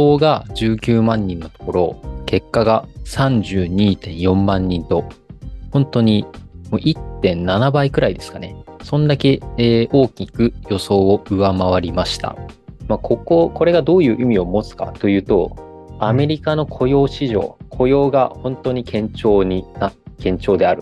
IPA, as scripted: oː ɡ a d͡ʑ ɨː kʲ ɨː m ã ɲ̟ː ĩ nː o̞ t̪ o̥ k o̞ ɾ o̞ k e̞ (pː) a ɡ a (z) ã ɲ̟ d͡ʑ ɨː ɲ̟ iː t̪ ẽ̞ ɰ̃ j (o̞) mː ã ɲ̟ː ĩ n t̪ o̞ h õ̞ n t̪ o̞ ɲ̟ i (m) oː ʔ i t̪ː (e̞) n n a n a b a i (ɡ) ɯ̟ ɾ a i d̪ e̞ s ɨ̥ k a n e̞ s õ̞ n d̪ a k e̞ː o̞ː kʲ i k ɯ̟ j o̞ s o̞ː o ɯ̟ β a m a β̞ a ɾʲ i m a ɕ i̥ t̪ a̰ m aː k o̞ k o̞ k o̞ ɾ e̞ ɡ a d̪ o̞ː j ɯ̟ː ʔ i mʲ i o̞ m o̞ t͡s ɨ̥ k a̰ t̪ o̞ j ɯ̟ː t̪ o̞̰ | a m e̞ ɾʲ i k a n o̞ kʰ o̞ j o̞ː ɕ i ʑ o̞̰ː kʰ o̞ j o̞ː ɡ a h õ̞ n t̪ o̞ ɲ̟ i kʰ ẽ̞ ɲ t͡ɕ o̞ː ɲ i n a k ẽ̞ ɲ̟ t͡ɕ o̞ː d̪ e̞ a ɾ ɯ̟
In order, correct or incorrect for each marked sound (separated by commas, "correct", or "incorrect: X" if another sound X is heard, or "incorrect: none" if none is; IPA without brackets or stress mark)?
incorrect: kː, incorrect: s, incorrect: õ̞, correct, incorrect: ẽ̞, incorrect: k